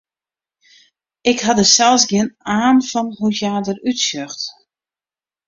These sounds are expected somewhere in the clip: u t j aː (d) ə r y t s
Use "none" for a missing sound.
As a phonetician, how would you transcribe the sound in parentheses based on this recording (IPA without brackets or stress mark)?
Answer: d